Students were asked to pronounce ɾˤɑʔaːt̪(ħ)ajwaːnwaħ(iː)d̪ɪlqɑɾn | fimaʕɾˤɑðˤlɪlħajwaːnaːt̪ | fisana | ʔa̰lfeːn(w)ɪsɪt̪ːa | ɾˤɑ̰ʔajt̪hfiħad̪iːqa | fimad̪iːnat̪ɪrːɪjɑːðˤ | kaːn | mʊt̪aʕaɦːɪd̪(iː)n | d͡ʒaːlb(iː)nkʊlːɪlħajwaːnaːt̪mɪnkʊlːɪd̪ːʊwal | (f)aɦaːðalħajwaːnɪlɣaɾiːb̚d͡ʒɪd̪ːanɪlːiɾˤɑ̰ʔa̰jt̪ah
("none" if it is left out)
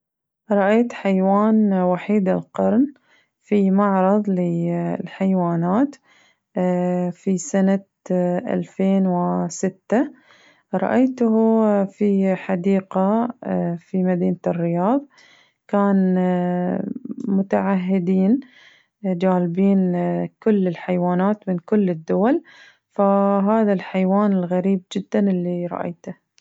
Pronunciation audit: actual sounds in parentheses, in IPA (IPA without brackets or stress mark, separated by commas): ħ, iː, w, iː, iː, f